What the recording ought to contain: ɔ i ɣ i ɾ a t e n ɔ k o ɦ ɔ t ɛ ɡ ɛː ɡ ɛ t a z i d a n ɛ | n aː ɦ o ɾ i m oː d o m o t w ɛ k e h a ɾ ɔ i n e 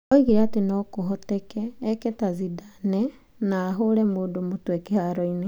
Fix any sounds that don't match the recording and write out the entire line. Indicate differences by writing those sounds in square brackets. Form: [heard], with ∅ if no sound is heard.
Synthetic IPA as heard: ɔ i ɣ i ɾ a t e n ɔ k o ɦ ɔ t ɛ [k] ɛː [k] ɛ t a z i d a n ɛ | n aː ɦ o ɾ [ɛ] m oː d o m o t w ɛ k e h a ɾ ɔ i n e